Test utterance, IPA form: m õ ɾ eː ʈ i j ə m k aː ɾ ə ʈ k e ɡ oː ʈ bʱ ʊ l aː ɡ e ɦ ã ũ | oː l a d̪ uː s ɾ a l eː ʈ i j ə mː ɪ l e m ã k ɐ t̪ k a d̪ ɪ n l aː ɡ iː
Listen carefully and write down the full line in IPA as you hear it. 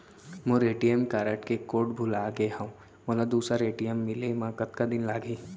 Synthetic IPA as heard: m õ ɾ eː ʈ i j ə m k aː ɾ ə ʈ k e k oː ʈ bʱ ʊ l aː ɡ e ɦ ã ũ | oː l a d̪ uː s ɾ a ɾ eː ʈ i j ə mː ɪ l e m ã k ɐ t̪ k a d̪ ɪ n l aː ɡ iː